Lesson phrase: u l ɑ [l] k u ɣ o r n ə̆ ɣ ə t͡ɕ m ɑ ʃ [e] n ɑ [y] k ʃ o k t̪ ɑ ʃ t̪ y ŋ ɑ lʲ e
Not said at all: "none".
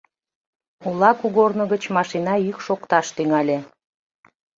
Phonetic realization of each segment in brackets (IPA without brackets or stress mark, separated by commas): none, i, y